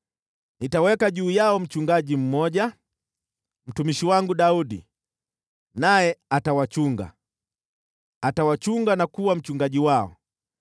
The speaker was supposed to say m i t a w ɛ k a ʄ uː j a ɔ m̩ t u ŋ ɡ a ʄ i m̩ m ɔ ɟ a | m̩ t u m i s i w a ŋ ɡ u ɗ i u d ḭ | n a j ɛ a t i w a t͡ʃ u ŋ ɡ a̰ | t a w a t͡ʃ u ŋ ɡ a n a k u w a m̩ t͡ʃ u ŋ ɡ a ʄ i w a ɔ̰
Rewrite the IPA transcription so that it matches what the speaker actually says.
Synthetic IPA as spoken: n i t a w ɛ k a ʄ uː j a ɔ m̩ t͡ʃ u ŋ ɡ a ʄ i m̩ m ɔ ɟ a | m̩ t u m i ʃ i w a ŋ ɡ u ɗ a u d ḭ | n a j ɛ a t a w a t͡ʃ u ŋ ɡ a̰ | t a w a t͡ʃ u ŋ ɡ a n a k u w a m̩ t͡ʃ u ŋ ɡ a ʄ i w a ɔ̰

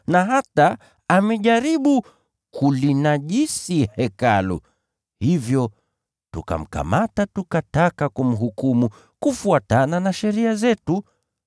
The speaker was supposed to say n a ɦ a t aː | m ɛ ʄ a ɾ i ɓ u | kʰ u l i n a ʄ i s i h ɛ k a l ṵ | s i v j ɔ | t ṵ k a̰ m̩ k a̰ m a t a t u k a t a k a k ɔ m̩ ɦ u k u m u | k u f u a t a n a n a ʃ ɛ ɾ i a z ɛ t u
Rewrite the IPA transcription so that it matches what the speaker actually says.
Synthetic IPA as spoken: n a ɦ a t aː | m ɛ ʄ a ɾ i ɓ u | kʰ u l i n a ʄ i s i h ɛ k a l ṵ | h i v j ɔ | t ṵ k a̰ m̩ k a̰ m a t a t u k a t a k a k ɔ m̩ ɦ u k u m u | k u f u a t a n a n a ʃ ɛ ɾ i a z ɛ t u

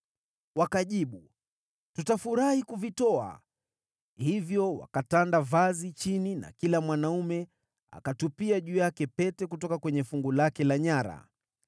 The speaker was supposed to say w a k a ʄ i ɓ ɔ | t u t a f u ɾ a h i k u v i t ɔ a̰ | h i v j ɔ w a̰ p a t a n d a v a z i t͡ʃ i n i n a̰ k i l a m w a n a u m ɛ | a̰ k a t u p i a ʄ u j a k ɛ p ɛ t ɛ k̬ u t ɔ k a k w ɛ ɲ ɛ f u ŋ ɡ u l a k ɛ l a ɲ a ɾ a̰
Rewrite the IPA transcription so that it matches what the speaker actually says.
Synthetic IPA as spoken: w a k a ʄ i ɓ u | t u t a f u ɾ a h i k u v i t ɔ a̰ | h i v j ɔ w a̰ k a t a n d a v a z i t͡ʃ i n i n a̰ k i l a m w a n a u m ɛ | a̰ k a t u p i a ʄ u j a k ɛ p ɛ t ɛ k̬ u t ɔ k a k w ɛ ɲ ɛ f u ŋ ɡ u l a k ɛ l a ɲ a ɾ a̰

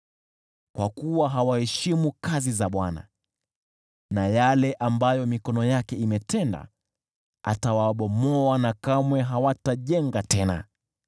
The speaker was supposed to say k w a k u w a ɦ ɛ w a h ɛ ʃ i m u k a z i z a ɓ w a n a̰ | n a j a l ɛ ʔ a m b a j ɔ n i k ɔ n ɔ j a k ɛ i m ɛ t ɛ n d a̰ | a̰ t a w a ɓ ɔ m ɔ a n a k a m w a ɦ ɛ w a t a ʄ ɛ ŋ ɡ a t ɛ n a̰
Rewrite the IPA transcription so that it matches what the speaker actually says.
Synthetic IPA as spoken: k w a k u w a ɦ a w a h ɛ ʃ i m u k a z i z a ɓ w a n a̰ | n a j a l ɛ ʔ a m b a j ɔ m i k ɔ n ɔ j a k ɛ i m ɛ t ɛ n d a̰ | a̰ t a w a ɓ ɔ m ɔ a n a k a m w ɛ ɦ a w a t a ʄ ɛ ŋ ɡ a t ɛ n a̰

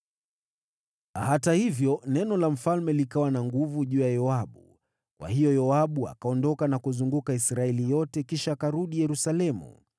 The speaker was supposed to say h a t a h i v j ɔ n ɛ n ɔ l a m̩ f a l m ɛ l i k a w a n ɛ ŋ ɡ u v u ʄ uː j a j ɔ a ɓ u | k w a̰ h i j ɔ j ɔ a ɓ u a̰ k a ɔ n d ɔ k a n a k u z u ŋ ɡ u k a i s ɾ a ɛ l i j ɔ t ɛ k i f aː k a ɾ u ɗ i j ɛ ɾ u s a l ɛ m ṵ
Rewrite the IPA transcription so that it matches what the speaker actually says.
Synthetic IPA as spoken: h a t a h i v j ɔ n ɛ n ɔ l a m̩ f a l m ɛ l i k a w a n a ŋ ɡ u v u ʄ uː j a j ɔ a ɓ u | k w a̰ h i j ɔ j ɔ a ɓ u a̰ k a ɔ n d ɔ k a n a k u z u ŋ ɡ u k a i s ɾ a ɛ l i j ɔ t ɛ k i ʃ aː k a ɾ u ɗ i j ɛ ɾ u s a l ɛ m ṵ

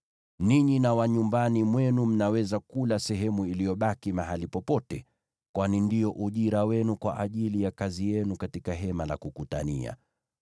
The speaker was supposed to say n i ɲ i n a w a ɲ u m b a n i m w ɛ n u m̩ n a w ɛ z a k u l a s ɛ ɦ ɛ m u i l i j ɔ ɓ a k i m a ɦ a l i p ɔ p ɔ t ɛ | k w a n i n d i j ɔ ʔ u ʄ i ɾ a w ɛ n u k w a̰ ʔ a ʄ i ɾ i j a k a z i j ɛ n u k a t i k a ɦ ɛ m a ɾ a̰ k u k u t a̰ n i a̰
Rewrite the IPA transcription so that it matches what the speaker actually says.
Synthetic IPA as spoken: n i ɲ i n a w a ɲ u m b a n i m w ɛ n u m̩ n a w ɛ z a k u l a s ɛ ɦ ɛ m u i l i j ɔ ɓ a k i m a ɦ a l i p ɔ p ɔ t ɛ | k w a n i n d i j ɔ ʔ u ʄ i ɾ a w ɛ n u k w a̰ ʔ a ʄ i l i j a k a z i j ɛ n u k a t i k a ɦ ɛ m a l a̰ k u k u t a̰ n i a̰

